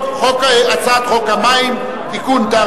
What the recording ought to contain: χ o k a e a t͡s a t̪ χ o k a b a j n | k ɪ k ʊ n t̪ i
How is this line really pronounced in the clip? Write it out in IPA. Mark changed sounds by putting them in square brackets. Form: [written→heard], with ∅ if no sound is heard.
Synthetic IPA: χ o k a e a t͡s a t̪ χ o k a [b→m] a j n | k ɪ k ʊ n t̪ [i→a]